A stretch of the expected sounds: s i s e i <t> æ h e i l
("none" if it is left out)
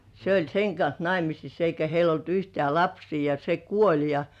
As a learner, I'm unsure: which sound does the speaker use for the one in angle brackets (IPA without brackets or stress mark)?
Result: k